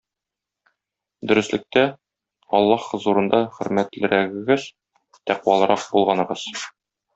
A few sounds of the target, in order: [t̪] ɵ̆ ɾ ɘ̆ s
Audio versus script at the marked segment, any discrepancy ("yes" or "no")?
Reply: yes